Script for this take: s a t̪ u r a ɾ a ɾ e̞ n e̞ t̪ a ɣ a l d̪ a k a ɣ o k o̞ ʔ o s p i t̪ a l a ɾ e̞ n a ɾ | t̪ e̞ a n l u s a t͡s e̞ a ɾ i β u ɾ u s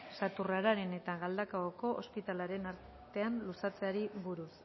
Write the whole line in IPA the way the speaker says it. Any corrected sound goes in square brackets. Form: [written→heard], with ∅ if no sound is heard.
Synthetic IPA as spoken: s a t̪ u r a ɾ a ɾ e̞ n e̞ t̪ a ɣ a l d̪ a k a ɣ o k o̞ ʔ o s p i t̪ a l a ɾ e̞ n a ɾ | t̪ e̞ a n l u s a t͡s e̞ a ɾ i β u ɾ u s